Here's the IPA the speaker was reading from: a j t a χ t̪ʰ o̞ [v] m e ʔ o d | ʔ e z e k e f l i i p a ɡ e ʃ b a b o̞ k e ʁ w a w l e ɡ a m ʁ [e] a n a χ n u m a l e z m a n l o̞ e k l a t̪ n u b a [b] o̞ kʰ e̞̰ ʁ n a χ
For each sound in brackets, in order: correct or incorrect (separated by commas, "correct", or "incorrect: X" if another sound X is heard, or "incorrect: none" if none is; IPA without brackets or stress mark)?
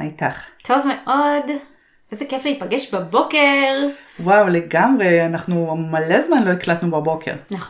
correct, correct, correct